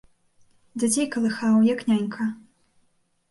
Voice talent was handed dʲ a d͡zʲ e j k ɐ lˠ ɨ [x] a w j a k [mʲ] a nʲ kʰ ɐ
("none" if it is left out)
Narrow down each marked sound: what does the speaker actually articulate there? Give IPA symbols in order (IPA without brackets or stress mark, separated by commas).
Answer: x, nʲ